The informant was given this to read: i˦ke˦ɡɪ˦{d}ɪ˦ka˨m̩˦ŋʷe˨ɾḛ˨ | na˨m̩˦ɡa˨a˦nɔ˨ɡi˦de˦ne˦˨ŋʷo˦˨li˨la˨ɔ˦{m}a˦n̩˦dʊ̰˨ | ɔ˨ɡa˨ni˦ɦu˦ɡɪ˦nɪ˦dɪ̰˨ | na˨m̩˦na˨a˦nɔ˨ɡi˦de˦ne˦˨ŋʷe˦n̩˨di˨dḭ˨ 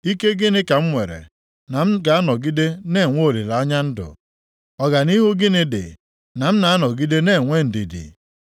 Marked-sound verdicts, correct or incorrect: incorrect, incorrect

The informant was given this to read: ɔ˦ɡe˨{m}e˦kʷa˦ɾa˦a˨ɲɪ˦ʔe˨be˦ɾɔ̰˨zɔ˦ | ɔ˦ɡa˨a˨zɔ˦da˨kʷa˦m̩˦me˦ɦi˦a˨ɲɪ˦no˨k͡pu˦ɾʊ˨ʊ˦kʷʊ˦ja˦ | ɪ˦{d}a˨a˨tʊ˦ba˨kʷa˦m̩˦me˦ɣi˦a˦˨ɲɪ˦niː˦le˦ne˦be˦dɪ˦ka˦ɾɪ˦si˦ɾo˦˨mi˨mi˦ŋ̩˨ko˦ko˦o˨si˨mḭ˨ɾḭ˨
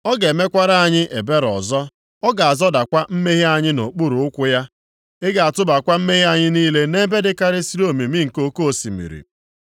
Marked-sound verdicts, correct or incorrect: correct, incorrect

